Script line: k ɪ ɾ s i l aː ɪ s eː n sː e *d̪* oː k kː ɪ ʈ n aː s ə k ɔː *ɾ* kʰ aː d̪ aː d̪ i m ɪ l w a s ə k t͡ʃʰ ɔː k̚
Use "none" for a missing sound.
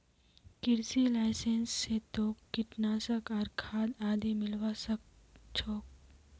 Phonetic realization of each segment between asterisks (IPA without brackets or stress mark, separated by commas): t̪, ɾ